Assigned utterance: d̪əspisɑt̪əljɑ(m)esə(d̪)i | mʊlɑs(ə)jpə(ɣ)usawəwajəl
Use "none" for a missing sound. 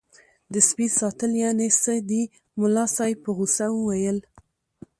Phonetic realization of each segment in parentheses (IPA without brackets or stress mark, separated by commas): n, d̪, ɑ, ɣ